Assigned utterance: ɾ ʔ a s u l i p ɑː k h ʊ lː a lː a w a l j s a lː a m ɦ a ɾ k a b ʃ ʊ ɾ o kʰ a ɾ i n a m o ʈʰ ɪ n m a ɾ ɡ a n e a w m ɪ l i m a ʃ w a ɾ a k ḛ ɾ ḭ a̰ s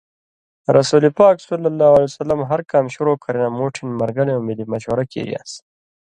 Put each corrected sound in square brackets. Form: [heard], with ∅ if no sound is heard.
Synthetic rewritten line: ɾ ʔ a s u l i p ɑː k [s] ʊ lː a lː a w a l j s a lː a m ɦ a ɾ k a [m] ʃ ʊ ɾ o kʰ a ɾ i n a m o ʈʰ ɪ n m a ɾ ɡ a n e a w m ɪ l i m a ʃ w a ɾ a k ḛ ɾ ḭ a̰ s